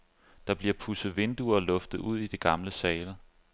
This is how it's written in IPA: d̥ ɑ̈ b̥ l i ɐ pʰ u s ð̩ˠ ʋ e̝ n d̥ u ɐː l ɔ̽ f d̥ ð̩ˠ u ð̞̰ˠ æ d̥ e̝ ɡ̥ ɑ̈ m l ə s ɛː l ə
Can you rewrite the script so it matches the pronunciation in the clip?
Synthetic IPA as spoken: d̥ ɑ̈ b̥ l i ɐ pʰ u s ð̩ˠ ʋ e̝ n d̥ u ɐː l ɔ̽ f d̥ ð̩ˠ u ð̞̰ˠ i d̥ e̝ ɡ̥ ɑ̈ m l ə s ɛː l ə